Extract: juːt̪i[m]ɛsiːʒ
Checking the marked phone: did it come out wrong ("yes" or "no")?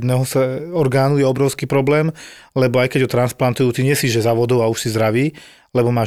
yes